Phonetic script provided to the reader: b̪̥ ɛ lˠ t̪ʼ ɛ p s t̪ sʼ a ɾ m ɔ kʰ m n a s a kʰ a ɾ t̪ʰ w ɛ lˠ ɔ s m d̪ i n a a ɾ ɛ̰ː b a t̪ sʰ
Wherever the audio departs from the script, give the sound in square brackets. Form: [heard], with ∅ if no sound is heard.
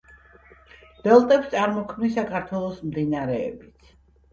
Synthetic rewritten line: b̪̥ ɛ lˠ t̪ʼ ɛ p s t̪ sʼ a ɾ m ɔ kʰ m n [i] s a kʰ a ɾ t̪ʰ w ɛ lˠ ɔ s m d̪ i n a a ɾ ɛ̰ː b [i] t̪ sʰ